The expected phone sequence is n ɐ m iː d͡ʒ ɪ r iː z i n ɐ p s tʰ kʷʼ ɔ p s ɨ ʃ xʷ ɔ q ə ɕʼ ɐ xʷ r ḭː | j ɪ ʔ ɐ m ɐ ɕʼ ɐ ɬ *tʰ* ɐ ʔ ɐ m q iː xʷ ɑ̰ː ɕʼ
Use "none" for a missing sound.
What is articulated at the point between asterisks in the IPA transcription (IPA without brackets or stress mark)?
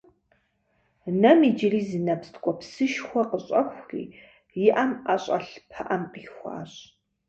pʰ